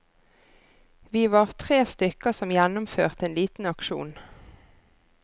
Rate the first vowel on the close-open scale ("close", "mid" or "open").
close